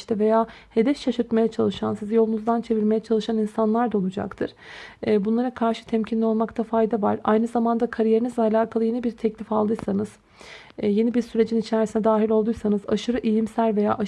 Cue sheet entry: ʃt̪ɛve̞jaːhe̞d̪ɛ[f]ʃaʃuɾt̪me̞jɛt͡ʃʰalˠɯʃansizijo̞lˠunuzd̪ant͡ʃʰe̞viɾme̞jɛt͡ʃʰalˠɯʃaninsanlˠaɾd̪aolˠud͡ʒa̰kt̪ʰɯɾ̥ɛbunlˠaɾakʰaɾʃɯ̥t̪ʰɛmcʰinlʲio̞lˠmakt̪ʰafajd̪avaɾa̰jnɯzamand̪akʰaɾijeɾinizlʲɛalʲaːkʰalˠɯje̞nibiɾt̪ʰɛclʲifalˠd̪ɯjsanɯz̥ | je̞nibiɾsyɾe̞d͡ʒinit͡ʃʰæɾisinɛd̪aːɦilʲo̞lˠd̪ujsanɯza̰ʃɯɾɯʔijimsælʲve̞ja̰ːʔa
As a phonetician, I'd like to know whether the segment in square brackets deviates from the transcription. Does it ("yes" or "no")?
no